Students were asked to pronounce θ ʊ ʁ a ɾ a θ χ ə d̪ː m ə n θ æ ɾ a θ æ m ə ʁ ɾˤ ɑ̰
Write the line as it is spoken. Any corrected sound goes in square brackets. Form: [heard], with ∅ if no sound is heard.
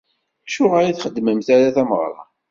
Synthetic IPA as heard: [ʃ] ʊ ʁ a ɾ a θ χ ə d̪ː m ə [m] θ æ ɾ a θ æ m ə ʁ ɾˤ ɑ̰